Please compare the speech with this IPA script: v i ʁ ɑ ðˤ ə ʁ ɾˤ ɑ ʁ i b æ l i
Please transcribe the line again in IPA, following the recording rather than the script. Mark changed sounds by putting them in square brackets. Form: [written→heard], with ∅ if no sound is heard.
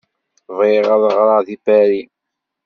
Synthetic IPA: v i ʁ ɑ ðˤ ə ʁ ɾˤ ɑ [ʁ→ð] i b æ [l→ɾ] i